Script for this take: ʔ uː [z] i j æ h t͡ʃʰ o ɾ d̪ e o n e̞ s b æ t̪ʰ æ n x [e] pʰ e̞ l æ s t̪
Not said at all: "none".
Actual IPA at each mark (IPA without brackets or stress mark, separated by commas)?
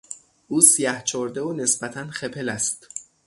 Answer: s, e